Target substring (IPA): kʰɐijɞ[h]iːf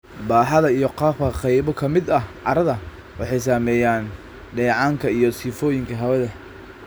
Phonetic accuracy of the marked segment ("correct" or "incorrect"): incorrect